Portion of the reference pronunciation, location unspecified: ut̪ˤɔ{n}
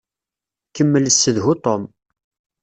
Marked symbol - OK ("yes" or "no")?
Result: no